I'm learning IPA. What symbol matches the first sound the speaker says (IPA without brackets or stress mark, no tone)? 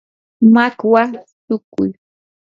m